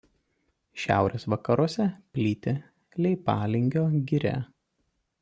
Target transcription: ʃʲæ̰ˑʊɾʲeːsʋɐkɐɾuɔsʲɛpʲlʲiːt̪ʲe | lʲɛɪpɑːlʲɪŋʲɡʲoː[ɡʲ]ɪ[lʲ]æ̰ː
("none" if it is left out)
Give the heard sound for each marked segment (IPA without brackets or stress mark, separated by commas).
ɡʲ, ɾʲ